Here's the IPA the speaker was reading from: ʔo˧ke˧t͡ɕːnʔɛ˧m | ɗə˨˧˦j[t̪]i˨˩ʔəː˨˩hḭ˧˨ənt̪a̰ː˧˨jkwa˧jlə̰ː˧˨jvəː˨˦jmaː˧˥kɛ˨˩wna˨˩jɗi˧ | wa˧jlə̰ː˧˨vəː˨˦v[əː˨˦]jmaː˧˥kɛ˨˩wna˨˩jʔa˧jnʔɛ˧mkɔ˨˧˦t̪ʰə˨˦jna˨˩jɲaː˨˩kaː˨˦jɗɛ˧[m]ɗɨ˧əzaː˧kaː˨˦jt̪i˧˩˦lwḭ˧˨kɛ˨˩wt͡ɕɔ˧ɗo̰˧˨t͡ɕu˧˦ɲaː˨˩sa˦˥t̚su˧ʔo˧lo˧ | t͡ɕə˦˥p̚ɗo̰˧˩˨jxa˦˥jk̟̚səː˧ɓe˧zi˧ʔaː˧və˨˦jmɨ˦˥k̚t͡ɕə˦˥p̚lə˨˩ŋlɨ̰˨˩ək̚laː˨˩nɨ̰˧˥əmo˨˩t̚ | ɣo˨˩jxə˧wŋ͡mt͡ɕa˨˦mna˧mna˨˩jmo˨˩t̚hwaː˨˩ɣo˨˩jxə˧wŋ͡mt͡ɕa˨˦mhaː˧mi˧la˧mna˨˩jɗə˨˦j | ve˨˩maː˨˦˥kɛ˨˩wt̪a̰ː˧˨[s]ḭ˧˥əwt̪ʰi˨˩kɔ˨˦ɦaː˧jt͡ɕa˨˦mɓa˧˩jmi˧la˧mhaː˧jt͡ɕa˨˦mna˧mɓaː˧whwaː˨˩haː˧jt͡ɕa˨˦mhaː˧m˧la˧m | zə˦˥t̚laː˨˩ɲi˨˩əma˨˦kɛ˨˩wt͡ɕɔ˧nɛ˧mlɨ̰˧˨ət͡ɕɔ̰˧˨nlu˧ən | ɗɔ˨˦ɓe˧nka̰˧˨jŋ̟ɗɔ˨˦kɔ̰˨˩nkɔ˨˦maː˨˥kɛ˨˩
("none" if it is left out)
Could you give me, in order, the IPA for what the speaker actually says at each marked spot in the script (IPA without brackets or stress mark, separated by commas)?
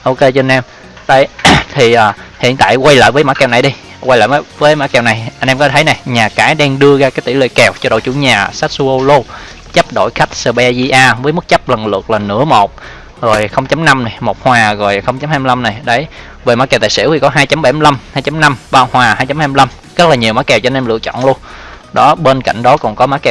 t̪ʰ, əː˨˦, ŋ, s